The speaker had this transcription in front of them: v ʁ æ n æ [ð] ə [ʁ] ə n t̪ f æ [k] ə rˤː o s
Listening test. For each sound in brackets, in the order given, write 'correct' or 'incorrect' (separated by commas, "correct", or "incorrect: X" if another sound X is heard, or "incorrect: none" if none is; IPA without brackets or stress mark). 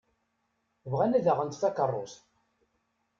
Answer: correct, correct, correct